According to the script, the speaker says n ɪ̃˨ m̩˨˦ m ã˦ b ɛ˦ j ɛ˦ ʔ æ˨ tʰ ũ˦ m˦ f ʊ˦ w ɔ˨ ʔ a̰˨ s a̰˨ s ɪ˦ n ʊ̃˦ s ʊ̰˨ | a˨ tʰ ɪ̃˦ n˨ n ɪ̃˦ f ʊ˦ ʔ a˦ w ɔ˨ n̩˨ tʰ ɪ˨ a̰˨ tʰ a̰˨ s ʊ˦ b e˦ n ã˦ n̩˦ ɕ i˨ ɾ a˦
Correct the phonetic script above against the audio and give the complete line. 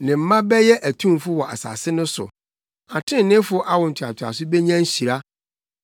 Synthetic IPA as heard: n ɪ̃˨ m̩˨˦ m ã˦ b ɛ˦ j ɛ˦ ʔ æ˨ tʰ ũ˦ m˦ f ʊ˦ w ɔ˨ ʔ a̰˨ s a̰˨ s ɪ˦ n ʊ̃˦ s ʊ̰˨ | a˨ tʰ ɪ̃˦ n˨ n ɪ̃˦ f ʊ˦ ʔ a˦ w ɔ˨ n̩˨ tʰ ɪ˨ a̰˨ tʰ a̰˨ s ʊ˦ b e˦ ɲ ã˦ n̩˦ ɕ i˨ ɾ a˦